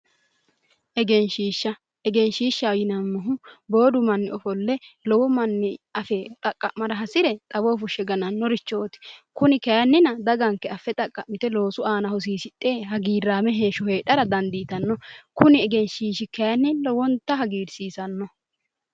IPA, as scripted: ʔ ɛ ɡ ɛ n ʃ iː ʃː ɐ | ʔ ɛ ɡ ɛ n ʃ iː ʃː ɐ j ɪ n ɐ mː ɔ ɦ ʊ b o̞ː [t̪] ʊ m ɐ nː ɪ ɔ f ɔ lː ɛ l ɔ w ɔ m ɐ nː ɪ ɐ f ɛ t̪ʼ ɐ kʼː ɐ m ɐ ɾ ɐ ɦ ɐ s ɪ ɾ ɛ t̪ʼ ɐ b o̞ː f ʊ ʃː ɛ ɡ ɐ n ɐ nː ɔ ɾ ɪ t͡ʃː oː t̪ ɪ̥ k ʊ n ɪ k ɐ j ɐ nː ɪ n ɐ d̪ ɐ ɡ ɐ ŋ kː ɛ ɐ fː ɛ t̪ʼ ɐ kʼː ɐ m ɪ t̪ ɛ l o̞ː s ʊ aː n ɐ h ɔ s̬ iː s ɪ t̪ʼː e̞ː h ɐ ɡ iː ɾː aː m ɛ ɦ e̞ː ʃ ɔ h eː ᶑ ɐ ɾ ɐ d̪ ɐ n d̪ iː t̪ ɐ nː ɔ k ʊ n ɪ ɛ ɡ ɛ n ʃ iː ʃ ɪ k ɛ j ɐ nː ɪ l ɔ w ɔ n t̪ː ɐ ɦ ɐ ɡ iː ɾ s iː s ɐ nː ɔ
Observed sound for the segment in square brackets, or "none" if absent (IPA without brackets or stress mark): d̪